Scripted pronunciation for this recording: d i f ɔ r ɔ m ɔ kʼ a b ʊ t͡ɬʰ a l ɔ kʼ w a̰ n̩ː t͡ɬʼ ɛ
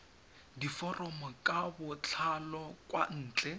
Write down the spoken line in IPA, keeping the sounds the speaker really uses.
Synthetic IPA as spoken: d i f ɔ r ɔ m ɔ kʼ a b ʊ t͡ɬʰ a l ɔ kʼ w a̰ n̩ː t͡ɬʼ ɛ